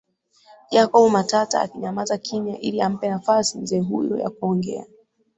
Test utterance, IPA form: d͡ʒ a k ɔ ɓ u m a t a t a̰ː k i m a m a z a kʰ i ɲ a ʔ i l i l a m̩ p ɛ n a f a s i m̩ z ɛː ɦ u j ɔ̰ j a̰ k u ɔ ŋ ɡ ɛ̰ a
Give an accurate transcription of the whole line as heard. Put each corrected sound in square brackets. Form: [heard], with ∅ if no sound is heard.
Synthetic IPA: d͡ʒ a k ɔ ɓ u m a t a t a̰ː k i [ɲ] a m a z a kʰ i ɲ a ʔ i l i [∅] a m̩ p ɛ n a f a s i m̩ z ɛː ɦ u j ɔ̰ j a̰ k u ɔ ŋ ɡ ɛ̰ a